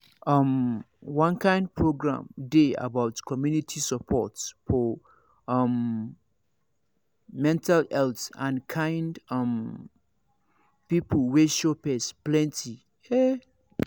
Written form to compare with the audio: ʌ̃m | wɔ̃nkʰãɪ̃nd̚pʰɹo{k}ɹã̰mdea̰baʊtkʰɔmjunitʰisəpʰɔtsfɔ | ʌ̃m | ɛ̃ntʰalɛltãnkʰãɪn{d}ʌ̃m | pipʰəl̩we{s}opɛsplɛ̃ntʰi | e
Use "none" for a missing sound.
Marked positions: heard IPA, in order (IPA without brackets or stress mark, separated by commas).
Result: ɡ, d, ʃ